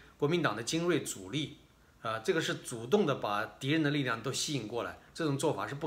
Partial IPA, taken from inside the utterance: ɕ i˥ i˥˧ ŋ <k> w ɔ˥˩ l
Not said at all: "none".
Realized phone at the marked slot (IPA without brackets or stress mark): k